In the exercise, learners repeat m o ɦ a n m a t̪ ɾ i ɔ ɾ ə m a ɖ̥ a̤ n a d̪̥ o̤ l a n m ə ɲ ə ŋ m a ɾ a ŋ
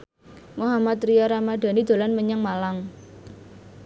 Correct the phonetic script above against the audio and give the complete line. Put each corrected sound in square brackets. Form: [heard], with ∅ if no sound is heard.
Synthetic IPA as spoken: m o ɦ a [∅] m a t̪ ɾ i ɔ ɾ [a] m a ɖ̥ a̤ n [i] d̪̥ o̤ l a n m ə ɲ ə ŋ m a [l] a ŋ